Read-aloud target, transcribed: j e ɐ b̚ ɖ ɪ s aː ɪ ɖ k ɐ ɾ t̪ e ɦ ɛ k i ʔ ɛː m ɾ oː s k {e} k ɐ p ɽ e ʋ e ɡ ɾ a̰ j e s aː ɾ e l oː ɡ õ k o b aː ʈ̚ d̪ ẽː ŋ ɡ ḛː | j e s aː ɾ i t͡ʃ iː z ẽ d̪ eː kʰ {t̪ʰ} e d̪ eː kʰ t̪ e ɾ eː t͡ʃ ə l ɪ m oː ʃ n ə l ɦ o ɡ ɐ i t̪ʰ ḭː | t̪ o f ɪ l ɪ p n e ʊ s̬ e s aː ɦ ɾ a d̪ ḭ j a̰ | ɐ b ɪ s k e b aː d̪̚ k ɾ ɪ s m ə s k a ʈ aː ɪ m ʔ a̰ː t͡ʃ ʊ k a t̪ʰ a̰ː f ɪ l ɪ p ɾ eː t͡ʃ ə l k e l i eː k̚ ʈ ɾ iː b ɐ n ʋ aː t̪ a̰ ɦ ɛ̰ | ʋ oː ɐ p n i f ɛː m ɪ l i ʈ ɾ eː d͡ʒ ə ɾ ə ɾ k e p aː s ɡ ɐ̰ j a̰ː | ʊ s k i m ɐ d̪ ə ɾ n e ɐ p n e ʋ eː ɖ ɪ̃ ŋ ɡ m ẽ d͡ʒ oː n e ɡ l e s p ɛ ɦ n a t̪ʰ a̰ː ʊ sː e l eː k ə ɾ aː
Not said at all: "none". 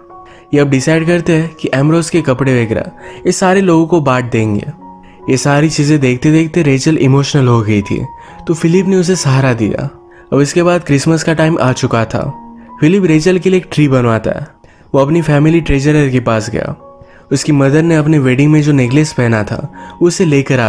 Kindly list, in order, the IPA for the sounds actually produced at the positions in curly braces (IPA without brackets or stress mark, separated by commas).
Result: e, t̪